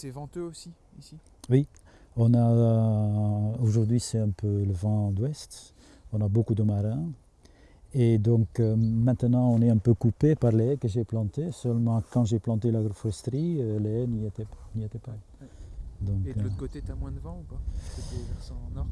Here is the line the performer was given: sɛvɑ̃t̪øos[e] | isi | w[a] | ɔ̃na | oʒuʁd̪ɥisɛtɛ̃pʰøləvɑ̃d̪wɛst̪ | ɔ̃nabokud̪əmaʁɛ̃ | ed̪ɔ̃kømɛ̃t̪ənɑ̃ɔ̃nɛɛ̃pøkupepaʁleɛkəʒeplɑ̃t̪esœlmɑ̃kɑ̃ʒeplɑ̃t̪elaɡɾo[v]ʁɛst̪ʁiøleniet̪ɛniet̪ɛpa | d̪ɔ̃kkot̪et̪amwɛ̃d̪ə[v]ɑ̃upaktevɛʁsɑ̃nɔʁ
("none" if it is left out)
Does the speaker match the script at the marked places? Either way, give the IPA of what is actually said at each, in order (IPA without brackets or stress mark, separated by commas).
i, i, f, v